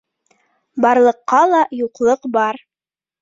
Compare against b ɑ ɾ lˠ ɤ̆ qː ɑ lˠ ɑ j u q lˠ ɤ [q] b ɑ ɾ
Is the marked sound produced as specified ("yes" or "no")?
yes